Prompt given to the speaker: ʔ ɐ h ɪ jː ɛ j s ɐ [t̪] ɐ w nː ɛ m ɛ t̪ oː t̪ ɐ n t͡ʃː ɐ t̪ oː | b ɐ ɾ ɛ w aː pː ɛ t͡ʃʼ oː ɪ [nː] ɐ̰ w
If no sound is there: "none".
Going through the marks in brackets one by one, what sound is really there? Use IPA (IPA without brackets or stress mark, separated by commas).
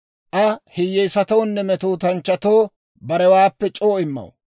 t̪, mː